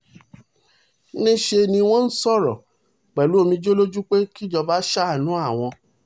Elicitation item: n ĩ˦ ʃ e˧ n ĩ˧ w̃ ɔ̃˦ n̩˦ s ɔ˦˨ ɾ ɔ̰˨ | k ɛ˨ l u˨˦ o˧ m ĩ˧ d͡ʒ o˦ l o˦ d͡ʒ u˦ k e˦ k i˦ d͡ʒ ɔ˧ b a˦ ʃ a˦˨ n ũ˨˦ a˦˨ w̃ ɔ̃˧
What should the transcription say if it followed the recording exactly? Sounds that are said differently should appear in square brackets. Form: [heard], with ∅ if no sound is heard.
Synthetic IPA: n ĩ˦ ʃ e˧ n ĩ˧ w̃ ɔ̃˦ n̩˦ s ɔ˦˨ ɾ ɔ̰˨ | [k͡p] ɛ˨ l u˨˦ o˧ m ĩ˧ d͡ʒ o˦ l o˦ d͡ʒ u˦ [k͡p] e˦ k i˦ d͡ʒ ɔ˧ b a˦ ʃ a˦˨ n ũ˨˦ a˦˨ w̃ ɔ̃˧

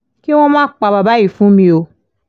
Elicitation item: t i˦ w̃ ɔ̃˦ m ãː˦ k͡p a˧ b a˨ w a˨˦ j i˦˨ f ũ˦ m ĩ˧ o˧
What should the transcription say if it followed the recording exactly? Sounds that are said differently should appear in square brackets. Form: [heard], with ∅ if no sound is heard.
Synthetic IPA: [k] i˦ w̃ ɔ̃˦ m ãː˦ k͡p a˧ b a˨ [b] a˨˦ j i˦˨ f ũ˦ m ĩ˧ o˧

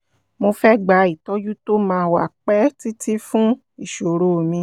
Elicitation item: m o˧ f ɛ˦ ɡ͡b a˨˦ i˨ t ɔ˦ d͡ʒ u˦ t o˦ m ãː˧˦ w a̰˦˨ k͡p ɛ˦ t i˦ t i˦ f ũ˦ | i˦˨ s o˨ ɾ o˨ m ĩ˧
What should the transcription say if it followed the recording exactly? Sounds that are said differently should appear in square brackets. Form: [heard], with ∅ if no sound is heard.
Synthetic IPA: m o˧ f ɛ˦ ɡ͡b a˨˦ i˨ t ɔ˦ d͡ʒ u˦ t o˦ m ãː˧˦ w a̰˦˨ k͡p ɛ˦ t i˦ t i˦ f ũ˦ | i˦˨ [ʃ] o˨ ɾ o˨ m ĩ˧

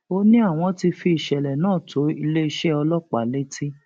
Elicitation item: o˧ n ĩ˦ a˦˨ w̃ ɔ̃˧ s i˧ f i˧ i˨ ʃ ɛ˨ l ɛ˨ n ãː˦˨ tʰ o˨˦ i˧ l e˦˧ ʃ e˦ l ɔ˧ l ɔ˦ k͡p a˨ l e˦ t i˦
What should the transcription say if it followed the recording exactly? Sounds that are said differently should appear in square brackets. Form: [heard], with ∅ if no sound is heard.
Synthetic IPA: o˧ n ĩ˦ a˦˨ w̃ ɔ̃˧ [t] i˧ f i˧ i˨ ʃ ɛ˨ l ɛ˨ n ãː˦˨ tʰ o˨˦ i˧ l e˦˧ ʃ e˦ [∅] ɔ˧ l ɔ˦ k͡p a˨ l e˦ t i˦

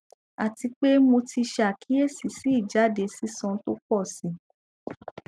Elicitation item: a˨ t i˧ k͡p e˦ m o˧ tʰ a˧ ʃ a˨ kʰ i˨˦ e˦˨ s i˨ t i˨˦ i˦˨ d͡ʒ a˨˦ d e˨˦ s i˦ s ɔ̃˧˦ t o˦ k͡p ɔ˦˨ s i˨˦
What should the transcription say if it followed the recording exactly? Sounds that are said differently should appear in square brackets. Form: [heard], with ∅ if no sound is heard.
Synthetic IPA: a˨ t i˧ k͡p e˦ m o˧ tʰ [i˧] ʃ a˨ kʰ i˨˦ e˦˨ s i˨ [s] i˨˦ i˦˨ d͡ʒ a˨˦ d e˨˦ s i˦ s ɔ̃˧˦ t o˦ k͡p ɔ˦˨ s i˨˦

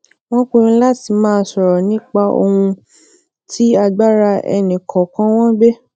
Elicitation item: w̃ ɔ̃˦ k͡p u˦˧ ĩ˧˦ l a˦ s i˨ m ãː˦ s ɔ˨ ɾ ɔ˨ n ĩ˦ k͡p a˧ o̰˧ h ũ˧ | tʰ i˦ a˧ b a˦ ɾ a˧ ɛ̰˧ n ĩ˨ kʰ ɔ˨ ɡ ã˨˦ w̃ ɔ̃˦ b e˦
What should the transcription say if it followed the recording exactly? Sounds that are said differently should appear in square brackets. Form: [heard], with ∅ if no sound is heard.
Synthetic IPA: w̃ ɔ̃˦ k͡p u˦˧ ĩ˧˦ l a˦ [t] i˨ m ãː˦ s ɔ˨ ɾ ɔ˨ n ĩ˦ k͡p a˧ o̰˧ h ũ˧ | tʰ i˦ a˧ [ɡ͡b] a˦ ɾ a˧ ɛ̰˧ n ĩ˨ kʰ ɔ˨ [k] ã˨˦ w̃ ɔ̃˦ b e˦

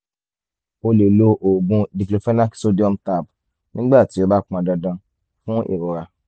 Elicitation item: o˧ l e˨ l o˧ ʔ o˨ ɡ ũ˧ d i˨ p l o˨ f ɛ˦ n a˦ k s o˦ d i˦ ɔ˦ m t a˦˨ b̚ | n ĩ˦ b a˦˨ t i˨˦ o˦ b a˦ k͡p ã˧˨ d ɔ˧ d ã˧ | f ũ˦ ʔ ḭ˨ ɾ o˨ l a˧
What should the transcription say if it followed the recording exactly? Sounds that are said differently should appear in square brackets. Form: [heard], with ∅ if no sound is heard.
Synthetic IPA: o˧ l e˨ l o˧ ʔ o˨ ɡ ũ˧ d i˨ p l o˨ f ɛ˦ n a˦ k s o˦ d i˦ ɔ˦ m t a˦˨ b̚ | n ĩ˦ [ɡ͡b] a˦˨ t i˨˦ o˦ b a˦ k͡p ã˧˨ d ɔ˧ d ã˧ | f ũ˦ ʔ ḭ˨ ɾ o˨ [ɾ] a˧

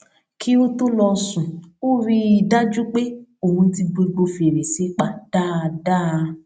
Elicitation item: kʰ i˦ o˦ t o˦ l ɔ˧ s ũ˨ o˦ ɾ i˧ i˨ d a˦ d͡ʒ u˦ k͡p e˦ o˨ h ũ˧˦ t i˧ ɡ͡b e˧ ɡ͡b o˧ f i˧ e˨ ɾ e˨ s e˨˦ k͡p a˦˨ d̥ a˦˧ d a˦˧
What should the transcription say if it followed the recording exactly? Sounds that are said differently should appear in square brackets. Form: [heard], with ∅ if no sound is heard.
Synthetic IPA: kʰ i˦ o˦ t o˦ l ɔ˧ s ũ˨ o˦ ɾ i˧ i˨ d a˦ d͡ʒ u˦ k͡p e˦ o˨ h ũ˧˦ t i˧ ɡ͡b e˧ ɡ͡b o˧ f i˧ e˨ ɾ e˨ s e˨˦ k͡p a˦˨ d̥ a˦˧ d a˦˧

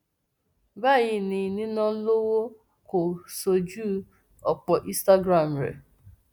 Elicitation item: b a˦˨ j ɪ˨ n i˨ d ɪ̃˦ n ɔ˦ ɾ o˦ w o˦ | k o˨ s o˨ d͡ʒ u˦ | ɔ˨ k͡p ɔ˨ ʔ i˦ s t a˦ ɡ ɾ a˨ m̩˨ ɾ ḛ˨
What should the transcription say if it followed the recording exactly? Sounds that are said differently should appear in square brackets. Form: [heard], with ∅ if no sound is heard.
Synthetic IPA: b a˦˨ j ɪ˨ n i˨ [n] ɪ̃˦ n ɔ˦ [l] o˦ w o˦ | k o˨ s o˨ d͡ʒ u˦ | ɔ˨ k͡p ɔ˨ ʔ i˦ s t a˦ ɡ ɾ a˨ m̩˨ ɾ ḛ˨

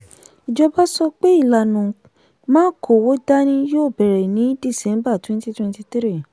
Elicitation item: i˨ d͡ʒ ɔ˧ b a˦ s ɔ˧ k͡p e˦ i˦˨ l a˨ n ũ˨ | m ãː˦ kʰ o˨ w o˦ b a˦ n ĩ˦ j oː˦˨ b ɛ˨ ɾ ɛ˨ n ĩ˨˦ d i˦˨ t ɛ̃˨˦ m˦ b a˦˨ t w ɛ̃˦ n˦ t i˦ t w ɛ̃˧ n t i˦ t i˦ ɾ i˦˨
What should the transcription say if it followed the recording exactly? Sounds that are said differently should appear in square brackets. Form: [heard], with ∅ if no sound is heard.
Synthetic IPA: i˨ d͡ʒ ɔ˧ b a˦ s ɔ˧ k͡p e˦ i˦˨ l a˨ n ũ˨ | m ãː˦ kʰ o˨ w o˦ [d] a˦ n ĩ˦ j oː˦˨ b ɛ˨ ɾ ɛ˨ n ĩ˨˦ d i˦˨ [s] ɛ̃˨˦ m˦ b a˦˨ t w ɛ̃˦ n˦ t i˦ t w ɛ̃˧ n t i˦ t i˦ ɾ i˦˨

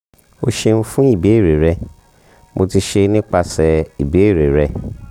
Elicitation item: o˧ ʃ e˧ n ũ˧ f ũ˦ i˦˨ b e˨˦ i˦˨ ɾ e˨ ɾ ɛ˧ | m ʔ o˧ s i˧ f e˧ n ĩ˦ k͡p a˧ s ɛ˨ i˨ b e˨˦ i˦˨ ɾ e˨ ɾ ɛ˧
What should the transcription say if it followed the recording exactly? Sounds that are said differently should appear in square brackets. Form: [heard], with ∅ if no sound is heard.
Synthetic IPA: o˧ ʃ e˧ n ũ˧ f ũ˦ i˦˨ b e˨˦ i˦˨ ɾ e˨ ɾ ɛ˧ | m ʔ o˧ [t] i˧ [ʃ] e˧ n ĩ˦ k͡p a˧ s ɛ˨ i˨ b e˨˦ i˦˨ ɾ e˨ ɾ ɛ˧

